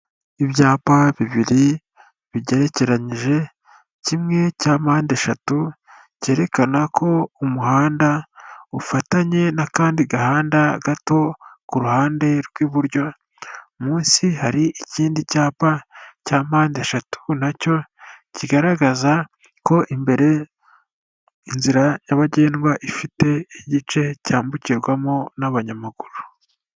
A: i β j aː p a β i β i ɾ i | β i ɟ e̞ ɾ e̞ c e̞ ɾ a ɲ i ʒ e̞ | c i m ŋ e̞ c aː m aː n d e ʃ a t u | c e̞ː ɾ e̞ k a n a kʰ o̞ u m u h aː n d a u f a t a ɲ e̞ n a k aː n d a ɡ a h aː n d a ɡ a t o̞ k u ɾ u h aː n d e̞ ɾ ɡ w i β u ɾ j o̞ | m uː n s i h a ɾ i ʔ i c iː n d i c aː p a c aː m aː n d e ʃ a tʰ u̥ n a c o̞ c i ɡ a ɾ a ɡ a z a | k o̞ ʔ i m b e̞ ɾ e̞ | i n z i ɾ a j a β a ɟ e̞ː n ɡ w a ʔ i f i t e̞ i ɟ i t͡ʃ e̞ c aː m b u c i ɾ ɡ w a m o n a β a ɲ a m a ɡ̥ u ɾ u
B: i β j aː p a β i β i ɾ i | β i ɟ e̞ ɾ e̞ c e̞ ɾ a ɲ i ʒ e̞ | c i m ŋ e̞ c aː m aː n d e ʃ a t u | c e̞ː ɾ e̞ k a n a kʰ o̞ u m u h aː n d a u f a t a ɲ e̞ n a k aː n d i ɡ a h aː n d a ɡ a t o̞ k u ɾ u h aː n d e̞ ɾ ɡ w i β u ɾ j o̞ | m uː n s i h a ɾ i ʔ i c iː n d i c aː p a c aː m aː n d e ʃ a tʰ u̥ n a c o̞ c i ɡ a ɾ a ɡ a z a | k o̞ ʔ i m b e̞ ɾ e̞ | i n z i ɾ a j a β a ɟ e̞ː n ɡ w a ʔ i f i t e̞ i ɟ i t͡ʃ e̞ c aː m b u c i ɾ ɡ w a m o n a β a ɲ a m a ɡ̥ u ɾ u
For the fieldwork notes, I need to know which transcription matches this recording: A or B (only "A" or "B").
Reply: B